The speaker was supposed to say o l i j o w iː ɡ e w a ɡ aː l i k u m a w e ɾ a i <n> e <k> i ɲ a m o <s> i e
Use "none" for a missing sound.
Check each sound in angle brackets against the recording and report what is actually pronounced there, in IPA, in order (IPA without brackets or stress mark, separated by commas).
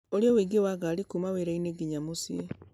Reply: n, ɡ, s